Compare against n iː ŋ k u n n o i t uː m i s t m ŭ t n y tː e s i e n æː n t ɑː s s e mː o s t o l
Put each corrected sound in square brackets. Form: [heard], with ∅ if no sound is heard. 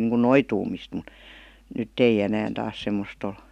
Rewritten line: n iː ŋ k u n n o i t uː m i s t m ŭ t n y tː e [∅] i e n æː n t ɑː s s e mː o s t o l